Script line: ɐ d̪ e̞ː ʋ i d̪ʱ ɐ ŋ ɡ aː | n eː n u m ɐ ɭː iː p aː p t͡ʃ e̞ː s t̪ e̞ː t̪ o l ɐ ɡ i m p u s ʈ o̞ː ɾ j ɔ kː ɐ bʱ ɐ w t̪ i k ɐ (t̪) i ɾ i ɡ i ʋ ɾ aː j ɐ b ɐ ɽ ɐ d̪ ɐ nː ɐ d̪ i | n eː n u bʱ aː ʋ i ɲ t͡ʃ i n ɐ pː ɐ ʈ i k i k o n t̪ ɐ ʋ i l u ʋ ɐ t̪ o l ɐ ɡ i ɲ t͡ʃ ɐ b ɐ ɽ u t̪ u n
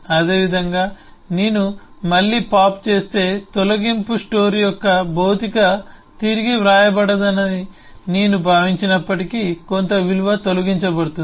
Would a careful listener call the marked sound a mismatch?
no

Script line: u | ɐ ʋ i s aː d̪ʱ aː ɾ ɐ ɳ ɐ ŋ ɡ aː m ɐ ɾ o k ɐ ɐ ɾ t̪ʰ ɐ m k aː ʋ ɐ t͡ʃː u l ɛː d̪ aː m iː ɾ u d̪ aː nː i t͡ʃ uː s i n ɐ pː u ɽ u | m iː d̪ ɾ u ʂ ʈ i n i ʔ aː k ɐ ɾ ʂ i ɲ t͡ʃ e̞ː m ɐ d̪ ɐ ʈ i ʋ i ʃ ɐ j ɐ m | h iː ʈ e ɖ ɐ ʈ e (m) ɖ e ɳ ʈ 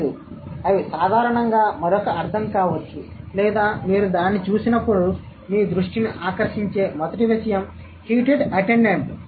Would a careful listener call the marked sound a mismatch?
yes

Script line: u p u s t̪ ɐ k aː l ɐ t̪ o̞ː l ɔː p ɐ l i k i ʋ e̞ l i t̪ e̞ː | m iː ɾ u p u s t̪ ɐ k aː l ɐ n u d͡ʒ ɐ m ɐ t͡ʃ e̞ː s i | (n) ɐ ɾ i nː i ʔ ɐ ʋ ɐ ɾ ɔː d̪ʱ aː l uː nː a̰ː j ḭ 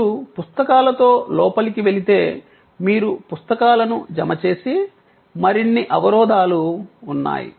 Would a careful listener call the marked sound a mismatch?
yes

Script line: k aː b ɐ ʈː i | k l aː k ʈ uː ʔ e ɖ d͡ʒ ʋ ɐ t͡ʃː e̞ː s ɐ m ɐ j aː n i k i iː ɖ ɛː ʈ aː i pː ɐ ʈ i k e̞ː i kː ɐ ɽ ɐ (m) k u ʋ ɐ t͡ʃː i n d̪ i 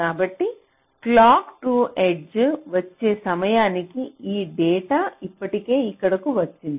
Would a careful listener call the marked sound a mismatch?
yes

